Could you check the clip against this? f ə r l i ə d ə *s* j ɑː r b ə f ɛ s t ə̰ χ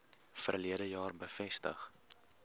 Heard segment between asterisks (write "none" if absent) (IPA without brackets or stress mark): none